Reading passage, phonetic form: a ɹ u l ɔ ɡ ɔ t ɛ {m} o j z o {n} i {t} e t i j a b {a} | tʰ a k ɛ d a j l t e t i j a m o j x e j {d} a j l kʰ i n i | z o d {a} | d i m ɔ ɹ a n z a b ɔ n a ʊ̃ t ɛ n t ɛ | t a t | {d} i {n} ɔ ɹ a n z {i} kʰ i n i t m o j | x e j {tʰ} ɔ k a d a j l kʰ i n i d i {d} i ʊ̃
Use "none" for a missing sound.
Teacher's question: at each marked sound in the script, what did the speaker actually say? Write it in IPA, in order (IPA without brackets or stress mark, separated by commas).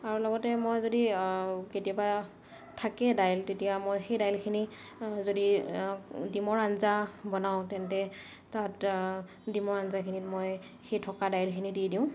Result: m, d, k, a, d, i, d, m, a, tʰ, d